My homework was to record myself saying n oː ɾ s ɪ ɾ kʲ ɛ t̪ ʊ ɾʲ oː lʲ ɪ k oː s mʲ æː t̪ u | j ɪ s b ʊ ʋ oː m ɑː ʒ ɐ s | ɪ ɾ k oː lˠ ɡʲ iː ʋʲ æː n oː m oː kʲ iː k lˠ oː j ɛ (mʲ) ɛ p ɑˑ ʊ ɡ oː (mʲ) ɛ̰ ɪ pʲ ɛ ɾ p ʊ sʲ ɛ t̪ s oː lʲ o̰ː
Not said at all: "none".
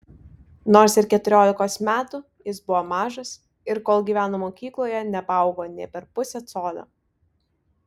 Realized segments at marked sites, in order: nʲ, nʲ

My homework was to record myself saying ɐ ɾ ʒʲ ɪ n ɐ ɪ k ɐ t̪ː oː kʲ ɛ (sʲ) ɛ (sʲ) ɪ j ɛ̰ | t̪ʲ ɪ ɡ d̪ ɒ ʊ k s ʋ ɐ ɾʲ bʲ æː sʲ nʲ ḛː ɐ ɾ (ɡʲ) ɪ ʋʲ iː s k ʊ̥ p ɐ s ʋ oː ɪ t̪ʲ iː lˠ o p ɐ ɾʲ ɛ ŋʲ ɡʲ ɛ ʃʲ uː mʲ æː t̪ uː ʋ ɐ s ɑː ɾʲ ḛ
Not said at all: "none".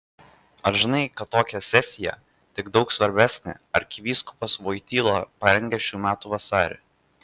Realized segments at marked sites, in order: sʲ, sʲ, kʲ

